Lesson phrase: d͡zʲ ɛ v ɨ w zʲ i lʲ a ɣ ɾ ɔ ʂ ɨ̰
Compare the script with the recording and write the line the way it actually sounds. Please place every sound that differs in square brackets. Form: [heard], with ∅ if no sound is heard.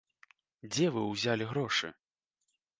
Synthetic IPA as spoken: d͡zʲ ɛ v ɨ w zʲ [a] lʲ [i] ɣ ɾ ɔ ʂ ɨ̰